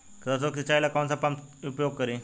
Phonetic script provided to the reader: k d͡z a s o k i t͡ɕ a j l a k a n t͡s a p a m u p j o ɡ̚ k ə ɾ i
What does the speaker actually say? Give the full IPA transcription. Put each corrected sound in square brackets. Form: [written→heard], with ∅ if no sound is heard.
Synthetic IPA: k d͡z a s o k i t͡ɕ a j l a k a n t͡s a p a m u p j o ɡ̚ k ə ɾ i